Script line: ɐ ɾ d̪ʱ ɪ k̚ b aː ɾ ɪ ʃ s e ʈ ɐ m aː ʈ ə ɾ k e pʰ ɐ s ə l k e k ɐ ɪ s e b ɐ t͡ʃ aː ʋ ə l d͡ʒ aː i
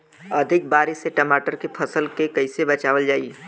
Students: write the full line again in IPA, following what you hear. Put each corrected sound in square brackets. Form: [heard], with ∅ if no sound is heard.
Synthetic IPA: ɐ [∅] d̪ʱ ɪ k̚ b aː ɾ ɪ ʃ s e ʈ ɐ m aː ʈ ə ɾ k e pʰ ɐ s ə l k e k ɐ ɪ s e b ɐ t͡ʃ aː ʋ ə l d͡ʒ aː i